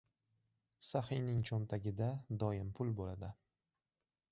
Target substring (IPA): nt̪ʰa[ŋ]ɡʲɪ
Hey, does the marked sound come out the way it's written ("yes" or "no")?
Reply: no